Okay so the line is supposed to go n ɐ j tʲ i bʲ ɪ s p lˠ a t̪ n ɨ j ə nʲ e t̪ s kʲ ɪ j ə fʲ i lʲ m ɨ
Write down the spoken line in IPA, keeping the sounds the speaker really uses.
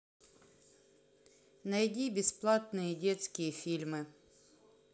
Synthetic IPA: n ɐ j dʲ i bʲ ɪ s p lˠ a t̪ n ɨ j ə dʲ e t̪ s kʲ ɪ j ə fʲ i lʲ m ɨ